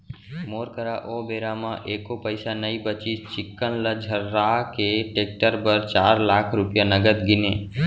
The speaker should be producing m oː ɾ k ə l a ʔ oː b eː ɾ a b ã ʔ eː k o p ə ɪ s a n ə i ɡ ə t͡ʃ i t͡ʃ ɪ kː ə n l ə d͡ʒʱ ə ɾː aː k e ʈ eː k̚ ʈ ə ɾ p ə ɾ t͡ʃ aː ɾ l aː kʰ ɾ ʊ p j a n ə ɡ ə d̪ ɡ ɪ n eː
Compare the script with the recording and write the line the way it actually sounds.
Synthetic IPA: m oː ɾ k ə ɾ a ʔ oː b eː ɾ a m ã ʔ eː k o p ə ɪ s a n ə i b ə t͡ʃ i t͡ʃ ɪ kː ə n l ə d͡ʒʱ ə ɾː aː k e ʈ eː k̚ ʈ ə ɾ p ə ɾ t͡ʃ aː ɾ l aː kʰ ɾ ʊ p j a n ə ɡ ə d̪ ɡ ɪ n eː